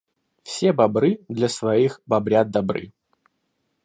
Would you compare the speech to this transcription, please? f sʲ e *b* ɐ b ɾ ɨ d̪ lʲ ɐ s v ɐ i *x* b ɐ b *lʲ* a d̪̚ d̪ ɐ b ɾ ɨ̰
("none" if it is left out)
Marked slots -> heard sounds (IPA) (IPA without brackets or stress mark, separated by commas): b, x, ɾʲ